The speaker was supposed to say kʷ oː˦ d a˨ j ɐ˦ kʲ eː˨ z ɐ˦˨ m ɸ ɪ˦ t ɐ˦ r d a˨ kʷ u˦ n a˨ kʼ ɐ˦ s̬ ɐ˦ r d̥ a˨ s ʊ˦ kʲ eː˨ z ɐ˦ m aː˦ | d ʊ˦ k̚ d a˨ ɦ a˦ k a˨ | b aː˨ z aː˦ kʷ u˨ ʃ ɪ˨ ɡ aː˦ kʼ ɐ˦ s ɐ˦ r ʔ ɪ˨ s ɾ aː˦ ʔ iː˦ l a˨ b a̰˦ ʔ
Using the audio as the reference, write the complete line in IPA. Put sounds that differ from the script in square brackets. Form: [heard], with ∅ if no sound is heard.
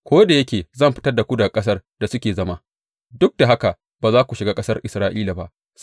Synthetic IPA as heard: kʷ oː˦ d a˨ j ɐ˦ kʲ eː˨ z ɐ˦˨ m ɸ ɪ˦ t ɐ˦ r d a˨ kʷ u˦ [d] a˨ kʼ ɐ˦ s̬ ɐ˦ r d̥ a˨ s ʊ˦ kʲ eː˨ z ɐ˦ m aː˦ | d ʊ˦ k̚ d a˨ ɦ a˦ k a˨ | b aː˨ z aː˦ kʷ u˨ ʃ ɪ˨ ɡ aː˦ kʼ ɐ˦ s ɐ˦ r ʔ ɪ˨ s ɾ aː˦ ʔ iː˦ l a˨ b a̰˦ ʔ